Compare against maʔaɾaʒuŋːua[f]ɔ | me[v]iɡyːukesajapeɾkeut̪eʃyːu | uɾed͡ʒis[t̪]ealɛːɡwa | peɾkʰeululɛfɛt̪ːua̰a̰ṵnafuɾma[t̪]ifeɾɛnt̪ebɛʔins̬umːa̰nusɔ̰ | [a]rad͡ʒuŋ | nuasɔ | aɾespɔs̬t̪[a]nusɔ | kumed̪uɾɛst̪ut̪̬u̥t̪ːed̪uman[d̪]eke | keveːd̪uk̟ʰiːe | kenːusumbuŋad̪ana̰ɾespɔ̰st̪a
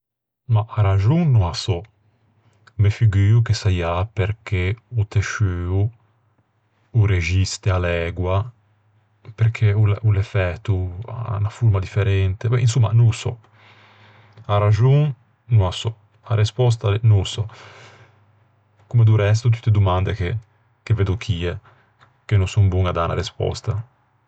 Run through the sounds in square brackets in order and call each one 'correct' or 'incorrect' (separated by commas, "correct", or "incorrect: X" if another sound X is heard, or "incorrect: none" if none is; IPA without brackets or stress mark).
incorrect: s, incorrect: f, correct, incorrect: d̪, correct, correct, correct